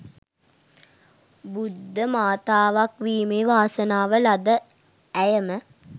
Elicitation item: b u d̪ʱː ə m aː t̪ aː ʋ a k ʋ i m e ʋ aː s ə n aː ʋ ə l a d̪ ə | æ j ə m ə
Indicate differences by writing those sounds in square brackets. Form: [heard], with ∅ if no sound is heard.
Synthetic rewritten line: b u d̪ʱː ə m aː t̪ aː ʋ a k ʋ [iː] m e ʋ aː s ə n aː ʋ ə l a d̪ ə | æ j ə m ə